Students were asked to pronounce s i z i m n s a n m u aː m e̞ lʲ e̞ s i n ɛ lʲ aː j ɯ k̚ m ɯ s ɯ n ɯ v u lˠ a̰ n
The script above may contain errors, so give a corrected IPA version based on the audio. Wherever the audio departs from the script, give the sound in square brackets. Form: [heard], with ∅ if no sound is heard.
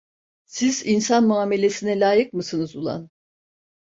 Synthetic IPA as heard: s i z i [∅] n s a n m u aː m e̞ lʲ e̞ s i n ɛ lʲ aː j ɯ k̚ m ɯ s ɯ n ɯ [z] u lˠ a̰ n